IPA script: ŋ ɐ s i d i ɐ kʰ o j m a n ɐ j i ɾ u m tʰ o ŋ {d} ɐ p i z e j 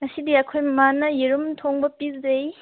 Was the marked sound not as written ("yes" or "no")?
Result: yes